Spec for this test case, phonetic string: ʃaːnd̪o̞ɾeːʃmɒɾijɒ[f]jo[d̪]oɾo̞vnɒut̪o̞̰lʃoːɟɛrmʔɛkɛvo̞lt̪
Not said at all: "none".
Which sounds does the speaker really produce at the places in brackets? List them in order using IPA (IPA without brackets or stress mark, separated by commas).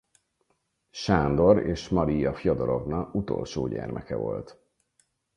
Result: f, d̪